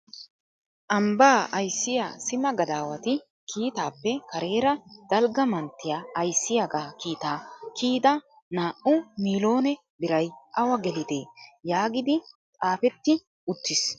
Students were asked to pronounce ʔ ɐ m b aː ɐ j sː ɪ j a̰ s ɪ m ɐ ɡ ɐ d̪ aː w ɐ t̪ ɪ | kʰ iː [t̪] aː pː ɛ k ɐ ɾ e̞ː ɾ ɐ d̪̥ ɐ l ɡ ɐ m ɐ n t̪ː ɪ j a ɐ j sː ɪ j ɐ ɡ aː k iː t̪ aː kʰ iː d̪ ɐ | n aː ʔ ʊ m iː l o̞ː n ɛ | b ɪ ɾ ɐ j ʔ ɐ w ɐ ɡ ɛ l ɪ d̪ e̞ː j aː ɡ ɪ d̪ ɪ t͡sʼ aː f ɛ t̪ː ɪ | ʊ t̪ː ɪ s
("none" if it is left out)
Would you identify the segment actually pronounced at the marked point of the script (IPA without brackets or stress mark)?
t̪